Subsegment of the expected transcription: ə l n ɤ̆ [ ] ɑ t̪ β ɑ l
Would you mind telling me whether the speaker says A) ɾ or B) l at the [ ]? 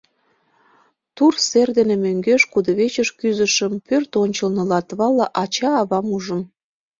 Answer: B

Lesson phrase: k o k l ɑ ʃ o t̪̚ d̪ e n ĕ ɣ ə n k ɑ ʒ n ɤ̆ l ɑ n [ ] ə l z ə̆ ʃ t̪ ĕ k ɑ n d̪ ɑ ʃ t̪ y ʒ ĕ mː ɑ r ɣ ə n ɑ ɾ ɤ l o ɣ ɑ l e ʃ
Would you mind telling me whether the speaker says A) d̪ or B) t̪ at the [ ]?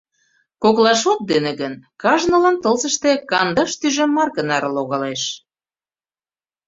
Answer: B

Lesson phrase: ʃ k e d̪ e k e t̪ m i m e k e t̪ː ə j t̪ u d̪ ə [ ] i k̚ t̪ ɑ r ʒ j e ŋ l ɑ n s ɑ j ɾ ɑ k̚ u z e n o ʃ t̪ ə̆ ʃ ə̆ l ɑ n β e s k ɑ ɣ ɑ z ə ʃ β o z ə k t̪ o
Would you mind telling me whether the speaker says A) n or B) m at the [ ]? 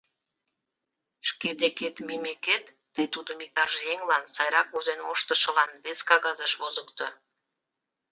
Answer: B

